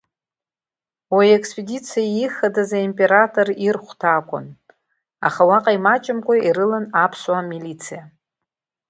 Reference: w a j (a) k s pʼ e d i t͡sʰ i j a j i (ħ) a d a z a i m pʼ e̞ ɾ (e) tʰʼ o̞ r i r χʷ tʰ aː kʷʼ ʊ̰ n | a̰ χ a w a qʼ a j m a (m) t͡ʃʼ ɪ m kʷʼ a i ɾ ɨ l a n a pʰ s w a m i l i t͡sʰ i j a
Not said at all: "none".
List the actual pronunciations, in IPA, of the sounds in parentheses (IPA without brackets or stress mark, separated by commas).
e, χ, a, none